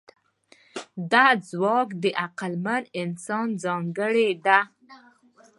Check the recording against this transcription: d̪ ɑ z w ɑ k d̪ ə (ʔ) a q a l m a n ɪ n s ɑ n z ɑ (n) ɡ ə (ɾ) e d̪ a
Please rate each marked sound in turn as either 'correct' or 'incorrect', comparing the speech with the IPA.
correct, incorrect: ŋ, incorrect: ɽ

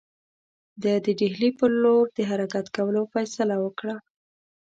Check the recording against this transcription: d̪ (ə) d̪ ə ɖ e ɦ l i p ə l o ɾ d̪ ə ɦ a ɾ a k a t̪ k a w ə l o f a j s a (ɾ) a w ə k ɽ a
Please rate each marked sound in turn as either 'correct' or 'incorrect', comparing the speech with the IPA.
correct, incorrect: l

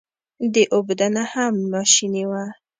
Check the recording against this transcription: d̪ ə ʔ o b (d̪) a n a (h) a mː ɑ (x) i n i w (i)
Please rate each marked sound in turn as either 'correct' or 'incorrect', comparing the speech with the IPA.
correct, correct, incorrect: ʃ, incorrect: a

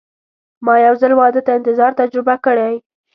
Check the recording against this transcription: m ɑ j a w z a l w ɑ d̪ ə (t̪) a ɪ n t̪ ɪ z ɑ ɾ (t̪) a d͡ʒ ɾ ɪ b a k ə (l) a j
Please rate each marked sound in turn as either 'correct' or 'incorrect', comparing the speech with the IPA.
correct, correct, incorrect: ɽ

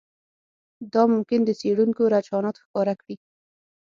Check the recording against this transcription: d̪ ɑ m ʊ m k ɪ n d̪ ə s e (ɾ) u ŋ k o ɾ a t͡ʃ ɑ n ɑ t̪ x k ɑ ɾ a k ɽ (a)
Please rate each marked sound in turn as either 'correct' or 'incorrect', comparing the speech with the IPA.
incorrect: ɽ, incorrect: i

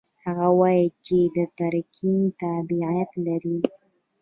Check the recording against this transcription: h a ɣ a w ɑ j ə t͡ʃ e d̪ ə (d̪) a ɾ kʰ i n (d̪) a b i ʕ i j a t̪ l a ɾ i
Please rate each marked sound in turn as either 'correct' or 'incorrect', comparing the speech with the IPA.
incorrect: t̪, incorrect: t̪

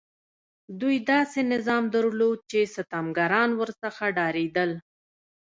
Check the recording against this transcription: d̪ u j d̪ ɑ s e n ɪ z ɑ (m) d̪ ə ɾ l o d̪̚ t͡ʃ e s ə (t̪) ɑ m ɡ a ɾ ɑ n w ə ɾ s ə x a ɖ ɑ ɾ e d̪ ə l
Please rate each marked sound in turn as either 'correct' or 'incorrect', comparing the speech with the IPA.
correct, correct

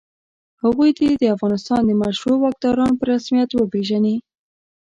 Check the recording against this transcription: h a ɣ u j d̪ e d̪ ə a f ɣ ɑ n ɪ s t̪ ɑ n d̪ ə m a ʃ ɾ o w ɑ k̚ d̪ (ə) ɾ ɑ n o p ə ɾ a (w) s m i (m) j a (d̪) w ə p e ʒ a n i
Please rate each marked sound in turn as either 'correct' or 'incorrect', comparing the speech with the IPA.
incorrect: ɑ, incorrect: none, incorrect: none, incorrect: t̪

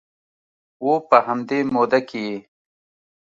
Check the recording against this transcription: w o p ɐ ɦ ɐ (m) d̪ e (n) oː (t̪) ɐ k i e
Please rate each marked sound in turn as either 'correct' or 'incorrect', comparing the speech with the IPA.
correct, incorrect: m, incorrect: d̪

